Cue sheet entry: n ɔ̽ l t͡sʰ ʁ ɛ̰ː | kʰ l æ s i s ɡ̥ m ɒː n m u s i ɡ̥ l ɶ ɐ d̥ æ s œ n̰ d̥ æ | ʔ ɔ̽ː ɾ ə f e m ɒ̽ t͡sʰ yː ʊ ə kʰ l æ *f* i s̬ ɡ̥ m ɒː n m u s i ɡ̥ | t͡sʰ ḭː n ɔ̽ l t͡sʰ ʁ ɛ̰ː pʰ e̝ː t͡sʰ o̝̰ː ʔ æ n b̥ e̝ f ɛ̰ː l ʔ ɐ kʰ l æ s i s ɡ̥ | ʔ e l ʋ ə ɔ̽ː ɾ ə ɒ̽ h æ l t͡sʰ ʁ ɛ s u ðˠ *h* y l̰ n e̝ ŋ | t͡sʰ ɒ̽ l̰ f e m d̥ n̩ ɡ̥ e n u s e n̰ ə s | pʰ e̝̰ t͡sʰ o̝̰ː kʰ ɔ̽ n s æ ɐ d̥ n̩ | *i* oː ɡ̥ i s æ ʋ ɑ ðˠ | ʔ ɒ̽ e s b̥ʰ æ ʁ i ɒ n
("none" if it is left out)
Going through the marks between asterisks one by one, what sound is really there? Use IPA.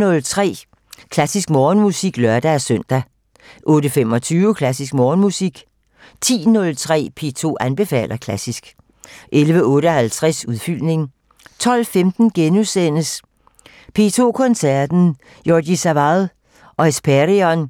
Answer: s, f, j

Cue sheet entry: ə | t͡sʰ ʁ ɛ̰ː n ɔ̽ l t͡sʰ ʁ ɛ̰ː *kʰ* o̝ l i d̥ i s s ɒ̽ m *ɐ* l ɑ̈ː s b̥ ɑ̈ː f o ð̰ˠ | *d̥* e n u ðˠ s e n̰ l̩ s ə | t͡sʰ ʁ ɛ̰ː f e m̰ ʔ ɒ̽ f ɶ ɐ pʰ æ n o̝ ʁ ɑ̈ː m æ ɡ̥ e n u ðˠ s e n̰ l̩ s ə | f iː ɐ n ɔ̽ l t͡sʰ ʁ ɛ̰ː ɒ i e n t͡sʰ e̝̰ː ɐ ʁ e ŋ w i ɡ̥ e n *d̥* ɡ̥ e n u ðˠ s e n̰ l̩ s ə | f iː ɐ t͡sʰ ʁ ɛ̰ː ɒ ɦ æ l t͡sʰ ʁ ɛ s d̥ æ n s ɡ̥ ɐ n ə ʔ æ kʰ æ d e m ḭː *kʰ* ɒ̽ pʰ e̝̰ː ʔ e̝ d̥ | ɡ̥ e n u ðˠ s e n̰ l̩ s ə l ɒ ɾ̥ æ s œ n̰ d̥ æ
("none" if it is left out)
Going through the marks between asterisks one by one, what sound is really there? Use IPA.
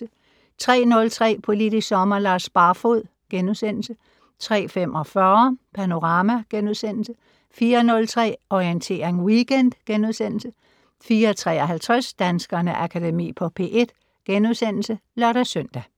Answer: pʰ, ɐ, ɡ̥, d̥, pʰ

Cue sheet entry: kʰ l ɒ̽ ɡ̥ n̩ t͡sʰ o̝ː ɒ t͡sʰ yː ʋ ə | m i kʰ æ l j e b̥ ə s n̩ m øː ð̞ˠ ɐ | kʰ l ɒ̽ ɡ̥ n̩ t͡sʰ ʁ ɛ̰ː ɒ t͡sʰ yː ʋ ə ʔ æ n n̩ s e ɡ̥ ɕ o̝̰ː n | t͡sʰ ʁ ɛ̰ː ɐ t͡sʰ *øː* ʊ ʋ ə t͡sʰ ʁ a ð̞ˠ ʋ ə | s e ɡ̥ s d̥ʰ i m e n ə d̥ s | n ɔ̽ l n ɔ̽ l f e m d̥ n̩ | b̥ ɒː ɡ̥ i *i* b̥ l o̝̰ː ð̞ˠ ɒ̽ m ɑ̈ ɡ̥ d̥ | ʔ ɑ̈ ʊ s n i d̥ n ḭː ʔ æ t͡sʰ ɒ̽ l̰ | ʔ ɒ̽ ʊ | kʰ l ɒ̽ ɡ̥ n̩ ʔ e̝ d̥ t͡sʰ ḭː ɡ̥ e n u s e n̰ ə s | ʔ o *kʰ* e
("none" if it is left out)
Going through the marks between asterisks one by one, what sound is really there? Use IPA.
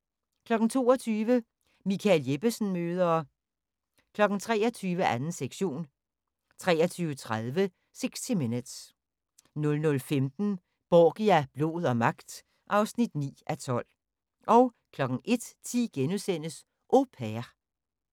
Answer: yː, æ, pʰ

